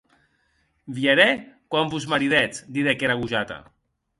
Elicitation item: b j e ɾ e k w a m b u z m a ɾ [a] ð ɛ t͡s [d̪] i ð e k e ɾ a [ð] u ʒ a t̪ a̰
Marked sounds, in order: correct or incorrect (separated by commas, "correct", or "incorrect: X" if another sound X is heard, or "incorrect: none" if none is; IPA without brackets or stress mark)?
incorrect: i, correct, incorrect: ɣ